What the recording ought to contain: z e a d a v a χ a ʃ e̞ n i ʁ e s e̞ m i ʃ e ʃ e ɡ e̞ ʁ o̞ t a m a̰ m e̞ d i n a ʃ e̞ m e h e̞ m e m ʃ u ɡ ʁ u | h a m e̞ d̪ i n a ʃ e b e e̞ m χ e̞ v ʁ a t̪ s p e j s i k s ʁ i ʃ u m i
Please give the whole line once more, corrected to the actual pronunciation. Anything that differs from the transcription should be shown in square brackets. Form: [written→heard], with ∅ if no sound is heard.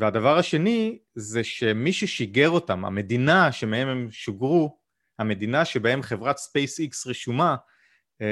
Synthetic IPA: [z→v] e a d a v a [χ→ʁ] a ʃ e̞ n i [ʁ→z] e [s→ʃ] e̞ m i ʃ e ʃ [e→i] ɡ e̞ ʁ o̞ t a m a̰ m e̞ d i n a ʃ e̞ m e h e̞ m e m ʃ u ɡ ʁ u | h a m e̞ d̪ i n a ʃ e b [e→a] e̞ m χ e̞ v ʁ a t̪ s p e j s i k s ʁ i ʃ u m [i→a]